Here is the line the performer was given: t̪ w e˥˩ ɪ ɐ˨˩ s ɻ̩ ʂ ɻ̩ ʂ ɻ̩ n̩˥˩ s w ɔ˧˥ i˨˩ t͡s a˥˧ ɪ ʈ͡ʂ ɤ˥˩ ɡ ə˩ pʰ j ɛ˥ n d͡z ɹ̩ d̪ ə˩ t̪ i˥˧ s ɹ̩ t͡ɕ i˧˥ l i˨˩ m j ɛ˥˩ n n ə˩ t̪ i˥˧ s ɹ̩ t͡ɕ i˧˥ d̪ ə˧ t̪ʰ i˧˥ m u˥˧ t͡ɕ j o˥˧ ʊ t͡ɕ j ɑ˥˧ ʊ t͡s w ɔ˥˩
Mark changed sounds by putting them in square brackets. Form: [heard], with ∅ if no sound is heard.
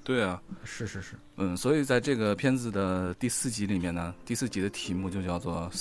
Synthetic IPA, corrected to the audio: t̪ w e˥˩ ɪ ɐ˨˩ [ʂ] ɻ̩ ʂ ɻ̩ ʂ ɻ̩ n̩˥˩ s w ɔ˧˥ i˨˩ t͡s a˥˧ ɪ ʈ͡ʂ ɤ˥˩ ɡ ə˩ pʰ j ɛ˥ n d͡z ɹ̩ d̪ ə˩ t̪ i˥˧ s ɹ̩ t͡ɕ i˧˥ l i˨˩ m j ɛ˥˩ n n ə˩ t̪ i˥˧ s ɹ̩ t͡ɕ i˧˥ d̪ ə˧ t̪ʰ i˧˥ m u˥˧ t͡ɕ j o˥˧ ʊ t͡ɕ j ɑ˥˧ ʊ t͡s w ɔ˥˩